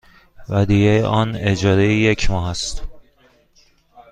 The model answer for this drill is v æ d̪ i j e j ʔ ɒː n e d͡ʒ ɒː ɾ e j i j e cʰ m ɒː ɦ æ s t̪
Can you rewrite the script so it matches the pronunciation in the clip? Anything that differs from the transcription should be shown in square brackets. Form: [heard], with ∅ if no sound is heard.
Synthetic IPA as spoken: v æ d̪ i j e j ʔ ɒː n e d͡ʒ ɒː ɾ e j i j e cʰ m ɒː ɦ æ s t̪